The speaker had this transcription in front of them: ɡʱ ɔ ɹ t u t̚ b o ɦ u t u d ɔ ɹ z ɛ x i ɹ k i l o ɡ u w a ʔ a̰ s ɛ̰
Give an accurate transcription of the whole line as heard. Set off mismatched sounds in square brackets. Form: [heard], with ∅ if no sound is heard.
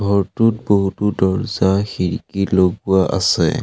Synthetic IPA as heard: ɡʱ ɔ ɹ t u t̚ b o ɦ u t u d ɔ ɹ z [a] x i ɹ k i l o ɡ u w a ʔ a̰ s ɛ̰